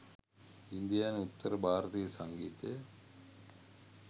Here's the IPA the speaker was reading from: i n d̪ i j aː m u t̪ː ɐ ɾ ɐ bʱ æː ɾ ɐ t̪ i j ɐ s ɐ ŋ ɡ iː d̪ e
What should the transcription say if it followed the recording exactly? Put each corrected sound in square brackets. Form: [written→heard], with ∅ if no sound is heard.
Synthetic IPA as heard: i n d̪ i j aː [m→n] u t̪ː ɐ ɾ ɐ bʱ [æː→aː] ɾ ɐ t̪ i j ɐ s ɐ ŋ ɡ iː [d̪→t̪] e